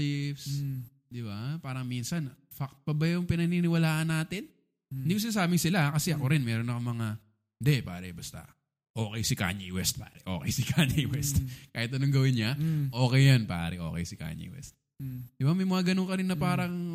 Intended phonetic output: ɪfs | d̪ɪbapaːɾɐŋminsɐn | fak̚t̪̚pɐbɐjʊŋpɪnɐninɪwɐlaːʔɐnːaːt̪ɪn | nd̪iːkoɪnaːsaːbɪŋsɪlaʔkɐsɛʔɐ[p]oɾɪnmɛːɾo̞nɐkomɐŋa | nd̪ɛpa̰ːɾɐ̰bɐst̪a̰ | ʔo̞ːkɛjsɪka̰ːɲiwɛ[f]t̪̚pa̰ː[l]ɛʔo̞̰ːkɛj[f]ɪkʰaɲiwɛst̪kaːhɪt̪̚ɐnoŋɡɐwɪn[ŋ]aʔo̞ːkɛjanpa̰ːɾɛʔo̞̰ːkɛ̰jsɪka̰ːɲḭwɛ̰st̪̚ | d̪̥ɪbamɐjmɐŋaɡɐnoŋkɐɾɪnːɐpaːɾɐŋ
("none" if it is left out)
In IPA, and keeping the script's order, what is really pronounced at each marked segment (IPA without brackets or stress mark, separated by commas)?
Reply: k, s, ɾ, s, ɲ